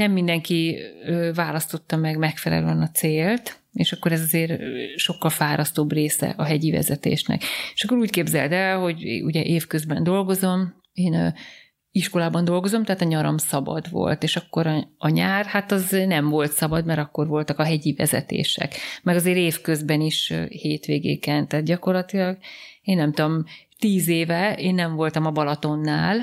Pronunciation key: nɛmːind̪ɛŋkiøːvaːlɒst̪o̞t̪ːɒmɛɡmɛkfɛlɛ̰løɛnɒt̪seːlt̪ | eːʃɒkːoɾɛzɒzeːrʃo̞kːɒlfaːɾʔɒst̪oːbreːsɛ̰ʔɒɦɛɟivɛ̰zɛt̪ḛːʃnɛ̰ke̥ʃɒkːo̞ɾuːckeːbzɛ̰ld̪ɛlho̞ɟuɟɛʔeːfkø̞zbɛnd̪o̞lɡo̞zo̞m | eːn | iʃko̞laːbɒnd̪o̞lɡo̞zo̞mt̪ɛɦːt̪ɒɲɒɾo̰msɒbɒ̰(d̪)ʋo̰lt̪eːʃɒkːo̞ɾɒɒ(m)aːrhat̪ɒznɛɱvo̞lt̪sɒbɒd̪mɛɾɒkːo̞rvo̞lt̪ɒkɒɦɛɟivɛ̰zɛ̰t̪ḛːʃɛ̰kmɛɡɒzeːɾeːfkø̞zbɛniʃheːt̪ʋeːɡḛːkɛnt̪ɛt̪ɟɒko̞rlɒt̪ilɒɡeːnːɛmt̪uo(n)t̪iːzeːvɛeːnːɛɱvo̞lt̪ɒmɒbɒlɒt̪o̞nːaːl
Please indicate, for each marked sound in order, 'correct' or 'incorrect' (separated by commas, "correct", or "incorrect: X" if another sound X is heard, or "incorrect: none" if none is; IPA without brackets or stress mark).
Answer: correct, incorrect: ɲ, incorrect: m